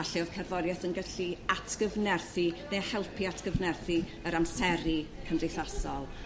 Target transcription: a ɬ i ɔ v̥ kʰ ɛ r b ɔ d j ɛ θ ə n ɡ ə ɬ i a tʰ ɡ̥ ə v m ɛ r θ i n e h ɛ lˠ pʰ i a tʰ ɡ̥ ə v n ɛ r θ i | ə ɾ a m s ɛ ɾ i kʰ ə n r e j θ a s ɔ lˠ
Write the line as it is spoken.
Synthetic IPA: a ɬ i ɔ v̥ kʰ ɛ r v ɔ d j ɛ θ ə n ɡ ə ɬ i a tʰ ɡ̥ ə v n ɛ r θ i n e h ɛ lˠ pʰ i a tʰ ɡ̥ ə v n ɛ r θ i | ə ɾ a m s ɛ ɾ i kʰ ə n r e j θ a s ɔ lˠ